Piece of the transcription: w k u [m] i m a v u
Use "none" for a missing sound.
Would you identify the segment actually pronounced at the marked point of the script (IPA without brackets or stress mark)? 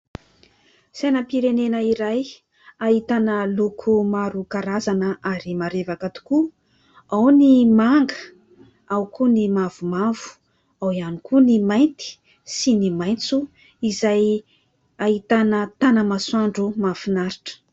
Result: n